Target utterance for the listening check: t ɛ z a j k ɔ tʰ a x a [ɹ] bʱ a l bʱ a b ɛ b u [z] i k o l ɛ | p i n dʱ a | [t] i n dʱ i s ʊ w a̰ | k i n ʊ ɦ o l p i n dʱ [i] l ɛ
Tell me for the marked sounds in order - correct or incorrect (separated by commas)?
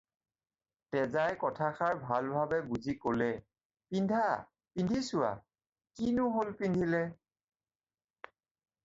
correct, correct, incorrect, correct